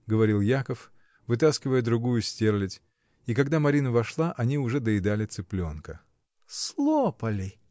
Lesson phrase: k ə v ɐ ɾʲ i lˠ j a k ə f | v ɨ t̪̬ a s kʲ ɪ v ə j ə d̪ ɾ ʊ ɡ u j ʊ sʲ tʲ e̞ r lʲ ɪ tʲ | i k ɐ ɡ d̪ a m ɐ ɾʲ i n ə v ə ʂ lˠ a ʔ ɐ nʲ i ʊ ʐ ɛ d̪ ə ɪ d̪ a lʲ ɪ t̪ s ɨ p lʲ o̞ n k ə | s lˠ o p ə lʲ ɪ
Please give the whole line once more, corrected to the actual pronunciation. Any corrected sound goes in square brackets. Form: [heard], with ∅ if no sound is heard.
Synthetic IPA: [ɡ] ə v ɐ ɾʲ i lˠ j a k ə f | v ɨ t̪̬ a s kʲ ɪ v ə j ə d̪ ɾ ʊ ɡ u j ʊ sʲ tʲ e̞ r lʲ ɪ tʲ | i k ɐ ɡ d̪ a m ɐ ɾʲ i n ə v [ɐ] ʂ lˠ a ʔ ɐ nʲ i ʊ ʐ ɛ d̪ ə ɪ d̪ a lʲ ɪ t̪ s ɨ p lʲ o̞ n k ə | s lˠ o p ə lʲ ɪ